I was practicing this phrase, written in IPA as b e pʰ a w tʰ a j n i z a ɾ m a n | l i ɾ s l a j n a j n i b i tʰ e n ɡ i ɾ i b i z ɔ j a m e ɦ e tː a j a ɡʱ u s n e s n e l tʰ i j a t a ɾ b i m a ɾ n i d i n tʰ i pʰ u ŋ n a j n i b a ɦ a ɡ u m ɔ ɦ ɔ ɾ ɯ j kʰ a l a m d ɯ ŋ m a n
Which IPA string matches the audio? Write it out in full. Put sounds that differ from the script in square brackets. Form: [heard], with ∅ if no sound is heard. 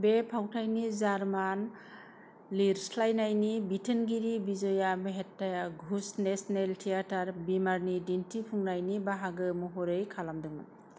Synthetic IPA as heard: b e pʰ a w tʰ a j n i z a ɾ m a n | l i ɾ s l a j n a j n i b i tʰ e n ɡ i ɾ i b i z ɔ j a m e ɦ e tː a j a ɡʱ u s n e s n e l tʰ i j a t a ɾ b i m a ɾ n i d i n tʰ i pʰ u ŋ n a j n i b a ɦ a ɡ [ɯ] m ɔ ɦ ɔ ɾ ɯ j kʰ a l a m d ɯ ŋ m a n